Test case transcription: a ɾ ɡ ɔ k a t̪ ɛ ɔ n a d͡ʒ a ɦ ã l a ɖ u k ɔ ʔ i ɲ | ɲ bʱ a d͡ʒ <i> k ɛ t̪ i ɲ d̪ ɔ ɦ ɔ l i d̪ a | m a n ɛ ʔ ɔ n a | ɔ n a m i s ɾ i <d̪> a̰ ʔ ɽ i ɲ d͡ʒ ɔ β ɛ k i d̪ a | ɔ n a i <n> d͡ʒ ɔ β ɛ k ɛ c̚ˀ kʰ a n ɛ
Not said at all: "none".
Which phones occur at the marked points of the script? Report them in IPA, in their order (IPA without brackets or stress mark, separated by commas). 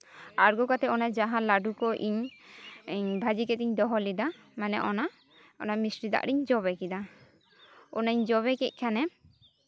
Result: i, d̪, ɲ